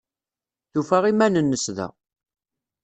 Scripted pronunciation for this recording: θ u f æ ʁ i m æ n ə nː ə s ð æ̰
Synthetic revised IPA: θ u f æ ʁ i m æ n ə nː ə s ð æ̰

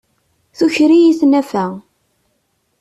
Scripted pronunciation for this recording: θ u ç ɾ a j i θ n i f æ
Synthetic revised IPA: θ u ç ɾ i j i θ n æ f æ

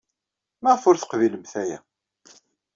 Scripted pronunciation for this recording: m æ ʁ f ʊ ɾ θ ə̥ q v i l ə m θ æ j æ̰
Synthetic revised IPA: m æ ʁ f ʊ ɾ θ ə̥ q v i l ə m θ æ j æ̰

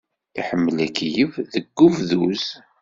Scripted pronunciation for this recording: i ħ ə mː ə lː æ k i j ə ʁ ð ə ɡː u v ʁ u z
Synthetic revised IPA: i ħ ə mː ə l æ k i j ə v ð ə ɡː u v ð u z

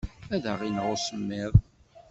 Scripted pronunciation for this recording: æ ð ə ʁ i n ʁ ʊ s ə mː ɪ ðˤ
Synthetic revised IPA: æ ð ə ʁ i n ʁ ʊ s ə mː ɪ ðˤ

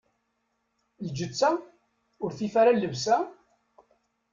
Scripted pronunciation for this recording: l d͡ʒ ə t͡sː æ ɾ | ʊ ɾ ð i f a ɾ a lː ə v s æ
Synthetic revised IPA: l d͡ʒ ə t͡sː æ | ʊ ɾ θ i f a ɾ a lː ə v s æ

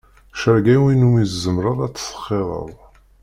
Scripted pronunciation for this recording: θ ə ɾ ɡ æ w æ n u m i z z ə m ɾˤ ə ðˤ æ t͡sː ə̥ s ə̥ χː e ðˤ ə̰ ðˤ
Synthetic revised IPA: ʃ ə ɾ ɡ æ w i n u m i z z ə m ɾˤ ə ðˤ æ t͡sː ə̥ s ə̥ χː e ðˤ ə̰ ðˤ

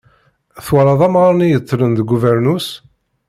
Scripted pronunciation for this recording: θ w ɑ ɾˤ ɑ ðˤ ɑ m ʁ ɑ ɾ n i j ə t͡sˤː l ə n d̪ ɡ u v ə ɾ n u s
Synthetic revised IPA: θ w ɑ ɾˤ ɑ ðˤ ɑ m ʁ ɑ ɾ n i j ə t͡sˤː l ə n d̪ ɡ u v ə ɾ n u s

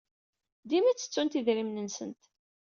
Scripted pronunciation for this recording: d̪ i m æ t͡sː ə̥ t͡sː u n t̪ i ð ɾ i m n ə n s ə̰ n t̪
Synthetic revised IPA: d̪ i m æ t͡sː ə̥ t͡sː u n t̪ i ð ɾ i m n ə n s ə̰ n t̪

